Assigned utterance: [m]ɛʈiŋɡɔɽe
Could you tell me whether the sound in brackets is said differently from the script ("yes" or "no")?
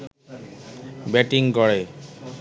yes